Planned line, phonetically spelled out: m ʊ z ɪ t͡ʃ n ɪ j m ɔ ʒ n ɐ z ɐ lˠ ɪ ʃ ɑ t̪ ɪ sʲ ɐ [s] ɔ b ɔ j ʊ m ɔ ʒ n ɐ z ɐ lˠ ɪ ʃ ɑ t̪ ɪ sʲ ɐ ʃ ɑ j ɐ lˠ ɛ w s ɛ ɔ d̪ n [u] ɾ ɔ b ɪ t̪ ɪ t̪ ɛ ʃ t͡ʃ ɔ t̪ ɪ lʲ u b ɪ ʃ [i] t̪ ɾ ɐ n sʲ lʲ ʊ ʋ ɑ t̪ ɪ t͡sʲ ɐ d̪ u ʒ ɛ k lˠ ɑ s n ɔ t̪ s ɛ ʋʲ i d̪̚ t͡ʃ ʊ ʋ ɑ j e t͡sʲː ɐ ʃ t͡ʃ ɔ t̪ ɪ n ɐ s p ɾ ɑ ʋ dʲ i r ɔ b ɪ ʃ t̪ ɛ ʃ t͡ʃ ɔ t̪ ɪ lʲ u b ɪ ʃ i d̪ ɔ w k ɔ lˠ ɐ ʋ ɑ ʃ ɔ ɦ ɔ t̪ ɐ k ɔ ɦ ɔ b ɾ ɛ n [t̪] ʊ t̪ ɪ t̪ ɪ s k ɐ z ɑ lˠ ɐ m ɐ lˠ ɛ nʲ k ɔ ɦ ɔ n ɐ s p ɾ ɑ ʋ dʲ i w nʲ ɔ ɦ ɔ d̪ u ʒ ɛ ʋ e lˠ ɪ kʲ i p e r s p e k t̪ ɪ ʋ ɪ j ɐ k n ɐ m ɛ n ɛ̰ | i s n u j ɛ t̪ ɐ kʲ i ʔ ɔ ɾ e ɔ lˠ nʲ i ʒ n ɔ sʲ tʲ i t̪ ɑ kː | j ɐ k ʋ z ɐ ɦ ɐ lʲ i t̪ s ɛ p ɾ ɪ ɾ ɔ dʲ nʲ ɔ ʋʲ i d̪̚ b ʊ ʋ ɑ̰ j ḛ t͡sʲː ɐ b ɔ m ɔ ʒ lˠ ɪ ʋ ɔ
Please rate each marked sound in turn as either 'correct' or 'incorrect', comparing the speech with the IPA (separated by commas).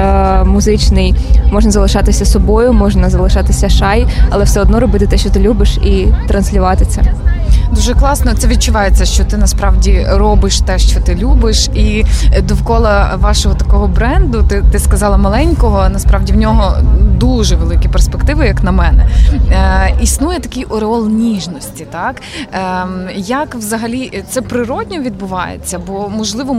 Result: correct, incorrect, correct, incorrect